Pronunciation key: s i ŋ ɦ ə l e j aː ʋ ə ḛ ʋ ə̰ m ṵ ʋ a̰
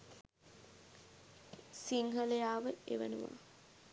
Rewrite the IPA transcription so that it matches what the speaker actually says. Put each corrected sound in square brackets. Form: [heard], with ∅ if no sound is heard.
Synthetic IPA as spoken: s i ŋ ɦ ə l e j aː ʋ ə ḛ ʋ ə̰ [n] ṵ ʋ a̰